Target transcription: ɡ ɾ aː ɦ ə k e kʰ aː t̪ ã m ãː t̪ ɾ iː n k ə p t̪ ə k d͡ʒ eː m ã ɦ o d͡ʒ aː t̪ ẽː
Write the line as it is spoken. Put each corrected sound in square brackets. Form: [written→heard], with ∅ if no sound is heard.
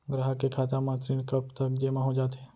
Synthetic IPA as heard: ɡ ɾ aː ɦ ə k e kʰ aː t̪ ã m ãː t̪ ɾ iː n k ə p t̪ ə k d͡ʒ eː m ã ɦ o d͡ʒ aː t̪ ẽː

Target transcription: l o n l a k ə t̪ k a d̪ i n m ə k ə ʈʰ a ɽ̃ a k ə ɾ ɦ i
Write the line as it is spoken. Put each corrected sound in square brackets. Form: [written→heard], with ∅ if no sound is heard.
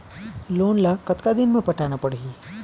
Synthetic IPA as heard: l o n l a k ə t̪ k a d̪ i n m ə [k→p] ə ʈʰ a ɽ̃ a [k→p] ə [ɾ→ɽ] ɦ i

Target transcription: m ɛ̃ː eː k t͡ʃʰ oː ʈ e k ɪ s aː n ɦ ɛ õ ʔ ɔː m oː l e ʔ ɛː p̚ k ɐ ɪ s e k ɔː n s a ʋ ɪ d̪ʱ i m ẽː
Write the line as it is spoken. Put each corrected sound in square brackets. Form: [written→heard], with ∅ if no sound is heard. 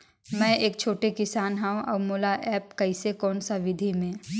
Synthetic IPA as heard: m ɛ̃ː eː k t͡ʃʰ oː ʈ e k ɪ s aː n ɦ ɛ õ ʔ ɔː m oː l [e→a] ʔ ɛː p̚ k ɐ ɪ s e k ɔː n s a ʋ ɪ d̪ʱ i m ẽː

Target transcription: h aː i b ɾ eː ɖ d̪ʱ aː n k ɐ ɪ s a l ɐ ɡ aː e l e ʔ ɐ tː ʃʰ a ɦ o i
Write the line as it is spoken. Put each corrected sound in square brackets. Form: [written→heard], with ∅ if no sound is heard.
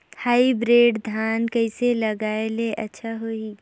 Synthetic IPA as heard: h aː i b ɾ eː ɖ d̪ʱ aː n k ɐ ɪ s [a→e] l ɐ ɡ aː e l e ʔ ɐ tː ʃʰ a ɦ o i

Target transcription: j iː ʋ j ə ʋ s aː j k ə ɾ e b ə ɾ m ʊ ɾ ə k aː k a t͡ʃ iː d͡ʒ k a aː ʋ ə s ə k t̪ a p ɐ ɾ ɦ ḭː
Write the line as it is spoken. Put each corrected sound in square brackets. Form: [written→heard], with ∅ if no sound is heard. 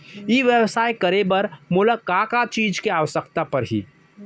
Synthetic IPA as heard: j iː ʋ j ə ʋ s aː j k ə ɾ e b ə ɾ m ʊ [ɾ→l] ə k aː k a t͡ʃ iː d͡ʒ k [a→e] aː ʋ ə s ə k t̪ a p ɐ ɾ ɦ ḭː

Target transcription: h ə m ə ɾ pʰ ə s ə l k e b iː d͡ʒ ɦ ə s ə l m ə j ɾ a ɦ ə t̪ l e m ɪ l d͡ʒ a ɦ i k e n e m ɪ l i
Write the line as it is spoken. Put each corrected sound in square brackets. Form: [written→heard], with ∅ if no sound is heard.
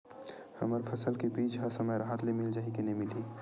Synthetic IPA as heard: h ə m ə ɾ pʰ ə s ə l k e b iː d͡ʒ ɦ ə s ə [l→∅] m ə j ɾ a ɦ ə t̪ l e m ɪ l d͡ʒ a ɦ i k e n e m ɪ l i

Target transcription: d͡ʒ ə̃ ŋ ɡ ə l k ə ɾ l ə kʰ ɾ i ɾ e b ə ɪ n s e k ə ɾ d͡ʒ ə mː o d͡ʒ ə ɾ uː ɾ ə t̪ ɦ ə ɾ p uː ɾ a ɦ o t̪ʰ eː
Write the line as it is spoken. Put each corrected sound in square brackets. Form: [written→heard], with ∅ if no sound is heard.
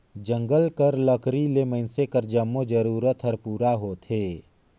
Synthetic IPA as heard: d͡ʒ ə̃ ŋ ɡ ə l k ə ɾ l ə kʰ ɾ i [ɾ→l] e [b→m] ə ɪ n s e k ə ɾ d͡ʒ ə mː o d͡ʒ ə ɾ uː ɾ ə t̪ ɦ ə ɾ p uː ɾ a ɦ o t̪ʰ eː

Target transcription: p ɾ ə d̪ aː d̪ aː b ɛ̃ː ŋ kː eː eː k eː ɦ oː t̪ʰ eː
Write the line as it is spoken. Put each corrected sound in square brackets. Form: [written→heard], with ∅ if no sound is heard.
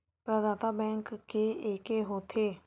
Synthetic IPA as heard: p ɾ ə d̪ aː [d̪→t̪] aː b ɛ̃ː ŋ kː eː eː k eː ɦ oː t̪ʰ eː

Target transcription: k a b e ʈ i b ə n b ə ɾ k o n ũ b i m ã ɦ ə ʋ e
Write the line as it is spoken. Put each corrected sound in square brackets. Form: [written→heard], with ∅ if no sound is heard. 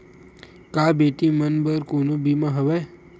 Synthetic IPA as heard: k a b e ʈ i [b→m] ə n b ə ɾ k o n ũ b i m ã ɦ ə ʋ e

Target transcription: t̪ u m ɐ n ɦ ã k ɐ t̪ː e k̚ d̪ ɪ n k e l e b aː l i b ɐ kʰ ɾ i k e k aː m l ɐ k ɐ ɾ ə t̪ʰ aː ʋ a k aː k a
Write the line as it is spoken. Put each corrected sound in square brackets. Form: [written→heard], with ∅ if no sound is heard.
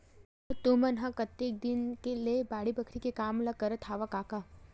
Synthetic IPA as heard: t̪ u m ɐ n ɦ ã k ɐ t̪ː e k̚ d̪ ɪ n k e l e b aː [l→ɽ] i b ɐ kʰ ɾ i k e k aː m l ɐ k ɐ ɾ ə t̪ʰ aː ʋ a k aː k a

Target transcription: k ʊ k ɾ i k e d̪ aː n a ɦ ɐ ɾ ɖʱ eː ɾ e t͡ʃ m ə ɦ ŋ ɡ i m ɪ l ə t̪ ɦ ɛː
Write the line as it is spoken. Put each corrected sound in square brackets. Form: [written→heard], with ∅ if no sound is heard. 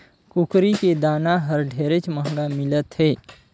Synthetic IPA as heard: k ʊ k ɾ i k e d̪ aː n a ɦ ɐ ɾ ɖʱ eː ɾ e t͡ʃ m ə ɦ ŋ ɡ [i→a] m ɪ l ə t̪ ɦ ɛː

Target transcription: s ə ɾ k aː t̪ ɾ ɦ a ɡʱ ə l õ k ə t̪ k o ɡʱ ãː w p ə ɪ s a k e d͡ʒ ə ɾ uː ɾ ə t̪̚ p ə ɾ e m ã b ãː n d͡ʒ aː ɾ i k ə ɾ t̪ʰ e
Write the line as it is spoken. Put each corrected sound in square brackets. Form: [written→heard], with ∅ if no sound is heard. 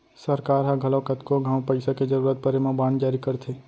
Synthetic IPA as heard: s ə ɾ k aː [t̪→∅] ɾ ɦ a ɡʱ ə l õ k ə t̪ k o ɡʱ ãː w p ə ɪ s a k e d͡ʒ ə ɾ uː ɾ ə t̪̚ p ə ɾ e m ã b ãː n d͡ʒ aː ɾ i k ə ɾ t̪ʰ e

